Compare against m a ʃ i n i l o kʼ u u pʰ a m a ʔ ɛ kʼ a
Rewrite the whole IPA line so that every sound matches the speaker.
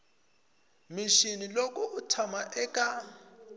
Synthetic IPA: m i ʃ i n i l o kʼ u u tʰ a m a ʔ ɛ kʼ a